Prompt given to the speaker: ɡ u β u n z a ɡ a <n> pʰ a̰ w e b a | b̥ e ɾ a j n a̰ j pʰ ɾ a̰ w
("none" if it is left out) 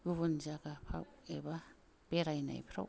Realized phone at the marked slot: none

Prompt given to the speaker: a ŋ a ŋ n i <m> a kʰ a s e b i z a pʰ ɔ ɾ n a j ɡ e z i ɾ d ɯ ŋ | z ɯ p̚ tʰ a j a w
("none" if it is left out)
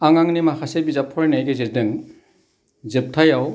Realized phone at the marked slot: m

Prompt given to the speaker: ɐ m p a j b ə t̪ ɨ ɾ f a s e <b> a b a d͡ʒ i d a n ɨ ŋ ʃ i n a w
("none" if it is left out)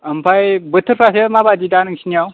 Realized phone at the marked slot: m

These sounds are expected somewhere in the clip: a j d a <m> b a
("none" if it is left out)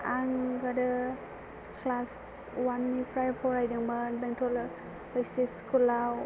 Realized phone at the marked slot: ŋ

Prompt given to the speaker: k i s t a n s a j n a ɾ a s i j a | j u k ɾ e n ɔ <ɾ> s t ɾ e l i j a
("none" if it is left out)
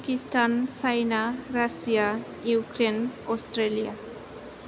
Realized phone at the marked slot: none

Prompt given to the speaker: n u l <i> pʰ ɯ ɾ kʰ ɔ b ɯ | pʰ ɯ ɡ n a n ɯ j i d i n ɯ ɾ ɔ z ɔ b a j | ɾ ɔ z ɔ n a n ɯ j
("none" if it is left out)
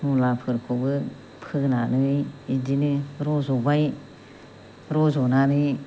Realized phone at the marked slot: a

